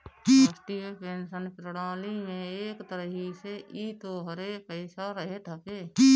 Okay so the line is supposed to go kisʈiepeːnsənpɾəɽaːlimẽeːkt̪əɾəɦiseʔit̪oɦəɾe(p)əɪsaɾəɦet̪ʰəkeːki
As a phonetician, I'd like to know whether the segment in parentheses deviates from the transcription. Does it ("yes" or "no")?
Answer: no